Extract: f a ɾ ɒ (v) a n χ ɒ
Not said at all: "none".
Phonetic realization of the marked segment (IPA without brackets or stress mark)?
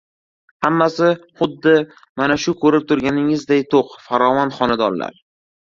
v